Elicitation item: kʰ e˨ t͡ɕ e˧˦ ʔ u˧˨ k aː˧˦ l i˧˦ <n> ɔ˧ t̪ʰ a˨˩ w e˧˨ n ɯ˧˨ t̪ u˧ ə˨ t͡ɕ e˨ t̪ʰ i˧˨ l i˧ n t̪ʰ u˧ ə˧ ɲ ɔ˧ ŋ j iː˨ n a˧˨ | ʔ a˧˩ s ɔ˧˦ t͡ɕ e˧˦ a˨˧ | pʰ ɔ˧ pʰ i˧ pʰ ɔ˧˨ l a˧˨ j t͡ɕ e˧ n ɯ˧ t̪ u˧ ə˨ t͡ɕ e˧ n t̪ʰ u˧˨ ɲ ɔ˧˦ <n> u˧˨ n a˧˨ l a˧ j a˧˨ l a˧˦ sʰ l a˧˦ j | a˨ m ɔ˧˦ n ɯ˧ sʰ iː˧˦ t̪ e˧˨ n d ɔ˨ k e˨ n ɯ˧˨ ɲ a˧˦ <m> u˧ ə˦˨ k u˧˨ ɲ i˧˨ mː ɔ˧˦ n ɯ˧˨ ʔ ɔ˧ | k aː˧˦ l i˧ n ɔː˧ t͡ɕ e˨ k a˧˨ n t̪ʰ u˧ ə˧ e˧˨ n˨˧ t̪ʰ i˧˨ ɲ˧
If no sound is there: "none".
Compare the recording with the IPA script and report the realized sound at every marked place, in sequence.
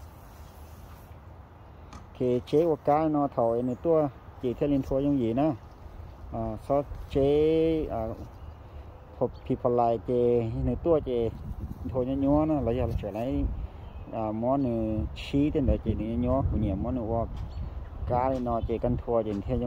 n, ɲ, ɲ

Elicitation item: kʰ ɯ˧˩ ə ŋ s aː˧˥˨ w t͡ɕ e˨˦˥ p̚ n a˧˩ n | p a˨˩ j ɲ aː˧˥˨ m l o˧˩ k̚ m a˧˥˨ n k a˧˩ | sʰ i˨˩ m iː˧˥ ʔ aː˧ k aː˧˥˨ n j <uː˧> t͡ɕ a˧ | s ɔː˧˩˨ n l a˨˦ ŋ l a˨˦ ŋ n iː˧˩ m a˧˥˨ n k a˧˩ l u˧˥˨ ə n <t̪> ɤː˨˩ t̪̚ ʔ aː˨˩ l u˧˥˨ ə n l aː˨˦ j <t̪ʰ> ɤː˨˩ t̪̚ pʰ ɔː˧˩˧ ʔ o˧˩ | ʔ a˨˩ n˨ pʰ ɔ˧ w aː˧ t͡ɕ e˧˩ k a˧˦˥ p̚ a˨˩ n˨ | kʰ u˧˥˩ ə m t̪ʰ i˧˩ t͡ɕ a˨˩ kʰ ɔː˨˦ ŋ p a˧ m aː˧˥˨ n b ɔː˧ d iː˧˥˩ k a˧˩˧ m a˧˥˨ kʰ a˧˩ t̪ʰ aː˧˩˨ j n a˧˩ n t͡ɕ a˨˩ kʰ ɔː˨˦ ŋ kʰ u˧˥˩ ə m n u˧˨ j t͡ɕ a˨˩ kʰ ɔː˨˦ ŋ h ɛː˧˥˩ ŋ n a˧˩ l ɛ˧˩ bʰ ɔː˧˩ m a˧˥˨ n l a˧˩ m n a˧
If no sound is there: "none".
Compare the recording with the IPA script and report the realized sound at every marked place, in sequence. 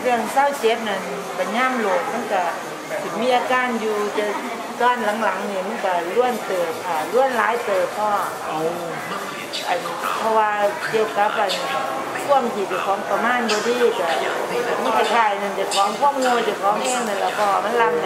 uː˧, t̪, t̪

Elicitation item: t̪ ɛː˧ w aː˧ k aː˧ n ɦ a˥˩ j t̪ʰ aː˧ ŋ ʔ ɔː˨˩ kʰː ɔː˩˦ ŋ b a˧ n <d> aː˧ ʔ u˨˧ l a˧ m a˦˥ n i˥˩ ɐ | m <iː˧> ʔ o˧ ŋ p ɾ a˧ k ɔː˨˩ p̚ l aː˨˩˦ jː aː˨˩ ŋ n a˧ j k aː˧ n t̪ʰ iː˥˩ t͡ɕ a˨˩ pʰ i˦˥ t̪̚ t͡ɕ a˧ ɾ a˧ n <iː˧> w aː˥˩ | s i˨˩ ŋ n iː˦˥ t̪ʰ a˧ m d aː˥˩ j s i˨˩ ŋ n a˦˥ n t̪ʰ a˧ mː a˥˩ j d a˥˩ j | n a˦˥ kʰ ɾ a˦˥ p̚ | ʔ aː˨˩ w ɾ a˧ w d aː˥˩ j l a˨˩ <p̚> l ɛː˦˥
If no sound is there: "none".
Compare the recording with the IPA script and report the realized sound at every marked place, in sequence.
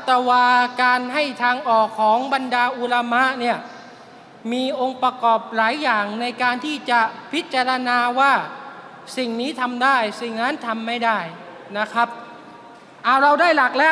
d, iː˧, aː˧, k̚

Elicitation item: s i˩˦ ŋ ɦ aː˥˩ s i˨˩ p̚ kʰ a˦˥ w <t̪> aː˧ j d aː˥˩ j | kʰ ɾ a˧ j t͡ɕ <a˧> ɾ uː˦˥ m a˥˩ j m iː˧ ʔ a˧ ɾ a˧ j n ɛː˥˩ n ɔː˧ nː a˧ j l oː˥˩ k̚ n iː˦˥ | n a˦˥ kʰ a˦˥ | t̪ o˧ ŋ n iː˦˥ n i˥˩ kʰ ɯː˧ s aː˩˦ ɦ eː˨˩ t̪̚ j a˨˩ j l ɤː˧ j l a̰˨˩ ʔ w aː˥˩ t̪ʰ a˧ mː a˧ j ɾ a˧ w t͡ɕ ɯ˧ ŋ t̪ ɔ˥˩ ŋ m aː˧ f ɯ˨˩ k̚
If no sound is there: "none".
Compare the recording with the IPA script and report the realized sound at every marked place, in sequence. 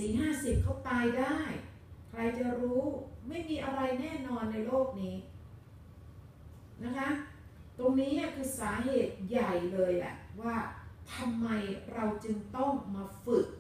t̪, a˨˩

